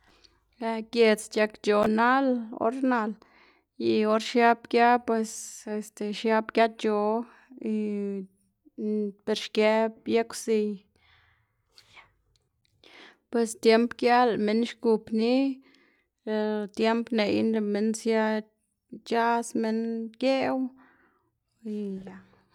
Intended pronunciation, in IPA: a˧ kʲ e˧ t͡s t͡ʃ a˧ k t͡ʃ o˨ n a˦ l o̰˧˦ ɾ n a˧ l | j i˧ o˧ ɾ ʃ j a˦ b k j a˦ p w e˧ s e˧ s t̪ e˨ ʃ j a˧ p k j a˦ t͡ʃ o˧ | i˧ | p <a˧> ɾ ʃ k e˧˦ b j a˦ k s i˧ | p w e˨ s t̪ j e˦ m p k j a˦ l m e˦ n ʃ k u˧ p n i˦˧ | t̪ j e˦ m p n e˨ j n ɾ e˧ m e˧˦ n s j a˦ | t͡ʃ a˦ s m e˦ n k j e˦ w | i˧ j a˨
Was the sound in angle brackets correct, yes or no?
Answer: no